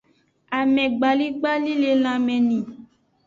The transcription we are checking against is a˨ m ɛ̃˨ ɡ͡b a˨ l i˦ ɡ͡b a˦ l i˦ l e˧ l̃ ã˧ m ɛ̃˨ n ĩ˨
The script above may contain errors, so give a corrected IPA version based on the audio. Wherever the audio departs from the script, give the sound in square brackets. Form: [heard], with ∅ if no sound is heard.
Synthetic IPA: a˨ m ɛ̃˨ ɡ͡b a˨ l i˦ ɡ͡b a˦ l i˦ l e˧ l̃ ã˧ m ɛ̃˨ n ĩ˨